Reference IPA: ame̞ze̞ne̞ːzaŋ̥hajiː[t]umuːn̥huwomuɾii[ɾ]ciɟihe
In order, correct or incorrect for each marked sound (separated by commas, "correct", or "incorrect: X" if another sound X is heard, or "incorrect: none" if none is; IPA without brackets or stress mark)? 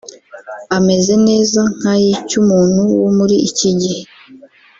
incorrect: c, incorrect: none